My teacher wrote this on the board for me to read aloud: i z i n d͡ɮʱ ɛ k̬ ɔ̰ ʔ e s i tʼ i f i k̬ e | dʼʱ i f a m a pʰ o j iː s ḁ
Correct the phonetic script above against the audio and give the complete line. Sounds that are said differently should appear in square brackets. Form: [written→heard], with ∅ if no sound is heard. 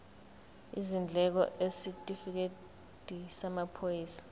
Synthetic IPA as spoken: i z i n d͡ɮʱ ɛ k̬ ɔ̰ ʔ e s i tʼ i f i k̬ e | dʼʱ i [f→s] a m a pʰ o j iː s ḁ